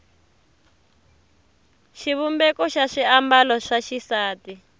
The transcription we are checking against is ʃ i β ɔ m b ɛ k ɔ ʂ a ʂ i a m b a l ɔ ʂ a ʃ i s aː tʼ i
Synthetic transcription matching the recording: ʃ i β u m b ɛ k ɔ ʃ a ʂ i a m b a l ɔ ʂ a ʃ i s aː t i